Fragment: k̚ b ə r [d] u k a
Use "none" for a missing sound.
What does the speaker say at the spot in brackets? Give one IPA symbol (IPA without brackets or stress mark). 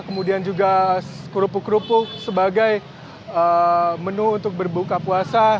b